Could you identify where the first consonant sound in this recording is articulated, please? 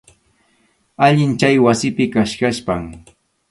palatal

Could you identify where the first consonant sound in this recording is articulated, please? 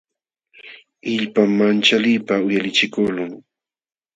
palatal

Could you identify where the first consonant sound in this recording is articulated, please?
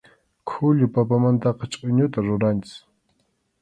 velar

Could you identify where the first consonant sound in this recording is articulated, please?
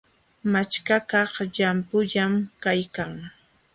labial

